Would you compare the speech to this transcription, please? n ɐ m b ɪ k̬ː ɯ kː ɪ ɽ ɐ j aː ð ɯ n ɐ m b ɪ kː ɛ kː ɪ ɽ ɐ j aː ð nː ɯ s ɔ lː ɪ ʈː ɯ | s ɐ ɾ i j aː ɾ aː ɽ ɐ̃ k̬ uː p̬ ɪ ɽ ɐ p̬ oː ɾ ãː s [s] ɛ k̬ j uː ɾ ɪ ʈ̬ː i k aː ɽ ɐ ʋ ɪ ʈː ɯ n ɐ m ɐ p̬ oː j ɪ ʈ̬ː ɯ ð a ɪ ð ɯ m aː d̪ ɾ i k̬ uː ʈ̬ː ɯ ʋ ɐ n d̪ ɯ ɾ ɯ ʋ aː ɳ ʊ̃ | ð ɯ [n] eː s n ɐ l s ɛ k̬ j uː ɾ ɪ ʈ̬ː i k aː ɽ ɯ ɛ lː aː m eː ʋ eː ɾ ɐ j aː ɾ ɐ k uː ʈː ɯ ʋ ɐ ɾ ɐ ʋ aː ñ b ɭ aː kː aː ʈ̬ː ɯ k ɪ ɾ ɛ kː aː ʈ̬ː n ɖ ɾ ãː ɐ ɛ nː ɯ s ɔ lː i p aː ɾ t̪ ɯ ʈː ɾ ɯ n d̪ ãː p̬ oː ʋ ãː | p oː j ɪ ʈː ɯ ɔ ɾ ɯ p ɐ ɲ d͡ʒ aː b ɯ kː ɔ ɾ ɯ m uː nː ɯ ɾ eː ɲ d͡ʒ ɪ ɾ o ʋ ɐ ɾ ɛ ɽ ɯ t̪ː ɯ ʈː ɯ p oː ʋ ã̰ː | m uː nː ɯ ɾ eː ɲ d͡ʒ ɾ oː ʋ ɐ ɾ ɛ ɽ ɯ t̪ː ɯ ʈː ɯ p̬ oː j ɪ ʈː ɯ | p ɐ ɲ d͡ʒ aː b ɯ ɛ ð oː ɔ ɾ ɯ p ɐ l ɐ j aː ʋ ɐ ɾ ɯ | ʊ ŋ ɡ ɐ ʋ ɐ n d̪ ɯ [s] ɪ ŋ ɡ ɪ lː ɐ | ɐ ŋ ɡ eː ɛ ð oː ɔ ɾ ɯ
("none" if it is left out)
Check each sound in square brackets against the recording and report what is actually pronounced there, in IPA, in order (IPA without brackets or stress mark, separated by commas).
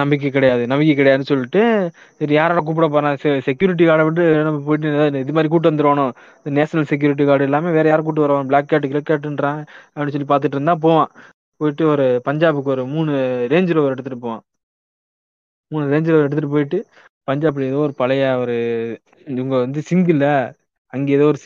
s, n, s